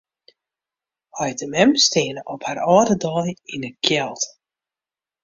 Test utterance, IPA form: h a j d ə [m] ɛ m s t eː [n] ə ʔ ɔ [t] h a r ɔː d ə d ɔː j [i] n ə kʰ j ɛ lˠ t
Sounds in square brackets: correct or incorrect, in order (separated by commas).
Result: correct, correct, incorrect, correct